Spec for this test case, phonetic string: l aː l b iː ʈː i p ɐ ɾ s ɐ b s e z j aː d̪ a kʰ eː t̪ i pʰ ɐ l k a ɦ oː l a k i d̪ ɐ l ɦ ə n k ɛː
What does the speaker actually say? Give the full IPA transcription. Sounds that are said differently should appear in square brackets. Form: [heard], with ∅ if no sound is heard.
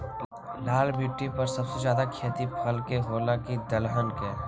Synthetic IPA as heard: l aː l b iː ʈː i p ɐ ɾ s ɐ b s e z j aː d̪ a kʰ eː t̪ i pʰ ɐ l k [e] ɦ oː l a k i d̪ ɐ l ɦ ə n k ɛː